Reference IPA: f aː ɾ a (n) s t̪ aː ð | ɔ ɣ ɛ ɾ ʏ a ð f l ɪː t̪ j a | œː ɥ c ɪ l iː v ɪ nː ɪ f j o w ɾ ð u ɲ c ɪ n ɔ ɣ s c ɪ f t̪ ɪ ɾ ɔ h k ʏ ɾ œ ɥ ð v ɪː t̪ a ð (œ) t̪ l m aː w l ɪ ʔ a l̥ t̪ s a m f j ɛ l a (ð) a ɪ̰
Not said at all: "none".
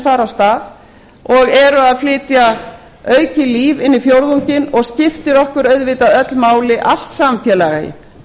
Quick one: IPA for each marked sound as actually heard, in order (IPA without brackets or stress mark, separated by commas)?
none, œ, ɣ